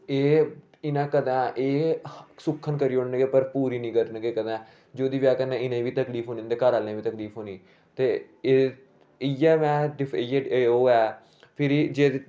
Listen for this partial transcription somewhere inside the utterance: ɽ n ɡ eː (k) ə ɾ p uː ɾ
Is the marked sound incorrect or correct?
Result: incorrect: p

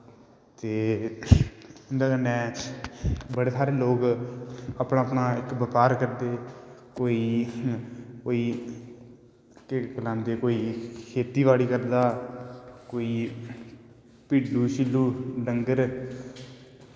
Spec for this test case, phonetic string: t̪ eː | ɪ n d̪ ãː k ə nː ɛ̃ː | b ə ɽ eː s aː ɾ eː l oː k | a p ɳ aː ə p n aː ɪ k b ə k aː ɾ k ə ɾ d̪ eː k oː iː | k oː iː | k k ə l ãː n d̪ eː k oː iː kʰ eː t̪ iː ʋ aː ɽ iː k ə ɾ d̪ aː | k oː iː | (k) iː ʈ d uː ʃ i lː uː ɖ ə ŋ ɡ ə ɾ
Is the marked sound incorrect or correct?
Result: incorrect: p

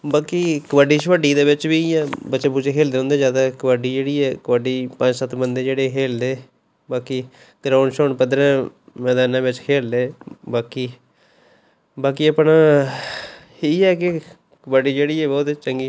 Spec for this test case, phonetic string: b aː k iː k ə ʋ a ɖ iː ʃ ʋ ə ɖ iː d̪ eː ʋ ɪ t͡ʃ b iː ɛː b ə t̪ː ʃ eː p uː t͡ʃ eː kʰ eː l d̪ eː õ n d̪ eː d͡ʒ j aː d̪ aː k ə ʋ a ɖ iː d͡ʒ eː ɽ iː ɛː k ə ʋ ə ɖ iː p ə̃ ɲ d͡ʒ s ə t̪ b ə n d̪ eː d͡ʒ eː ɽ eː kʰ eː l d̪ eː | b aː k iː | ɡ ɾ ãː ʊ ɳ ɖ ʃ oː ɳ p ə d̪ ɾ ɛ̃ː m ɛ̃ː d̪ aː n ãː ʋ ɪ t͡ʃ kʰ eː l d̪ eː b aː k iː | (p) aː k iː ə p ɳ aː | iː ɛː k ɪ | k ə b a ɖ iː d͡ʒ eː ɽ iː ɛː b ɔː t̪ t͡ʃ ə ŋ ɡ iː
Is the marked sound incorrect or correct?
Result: incorrect: b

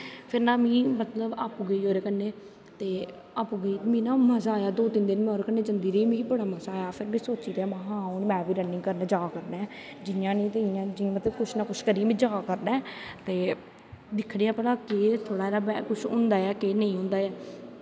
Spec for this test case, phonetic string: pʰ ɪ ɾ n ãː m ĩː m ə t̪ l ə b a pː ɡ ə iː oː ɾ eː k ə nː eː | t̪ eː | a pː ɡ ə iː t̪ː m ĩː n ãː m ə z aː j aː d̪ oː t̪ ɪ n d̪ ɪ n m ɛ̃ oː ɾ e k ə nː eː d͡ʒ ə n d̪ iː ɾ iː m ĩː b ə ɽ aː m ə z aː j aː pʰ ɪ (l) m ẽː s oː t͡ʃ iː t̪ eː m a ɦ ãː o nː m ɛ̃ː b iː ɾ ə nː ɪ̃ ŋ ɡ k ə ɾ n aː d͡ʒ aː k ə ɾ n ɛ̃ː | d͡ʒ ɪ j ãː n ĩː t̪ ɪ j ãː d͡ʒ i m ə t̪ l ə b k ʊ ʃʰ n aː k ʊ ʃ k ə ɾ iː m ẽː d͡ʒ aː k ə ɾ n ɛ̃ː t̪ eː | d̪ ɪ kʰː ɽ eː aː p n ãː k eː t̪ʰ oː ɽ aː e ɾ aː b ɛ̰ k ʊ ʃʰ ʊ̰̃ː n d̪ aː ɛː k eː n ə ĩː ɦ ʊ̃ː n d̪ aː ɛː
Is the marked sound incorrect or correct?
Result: incorrect: ɾ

